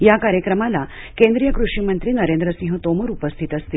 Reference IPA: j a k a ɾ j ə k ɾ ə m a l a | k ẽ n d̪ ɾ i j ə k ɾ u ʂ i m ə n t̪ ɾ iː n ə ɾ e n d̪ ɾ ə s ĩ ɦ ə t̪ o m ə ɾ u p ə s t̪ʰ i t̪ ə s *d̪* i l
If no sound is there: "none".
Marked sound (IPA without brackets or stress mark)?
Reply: t̪